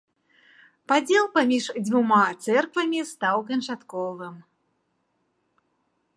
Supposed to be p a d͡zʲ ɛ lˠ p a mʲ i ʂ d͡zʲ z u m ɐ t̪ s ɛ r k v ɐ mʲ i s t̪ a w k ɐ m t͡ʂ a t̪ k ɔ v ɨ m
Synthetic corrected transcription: p a d͡zʲ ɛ lˠ p a mʲ i ʂ d͡zʲ v u m a t̪ s ɛ r k v ɐ mʲ i s t̪ a w k ɐ n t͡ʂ a t̪ k ɔ v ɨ m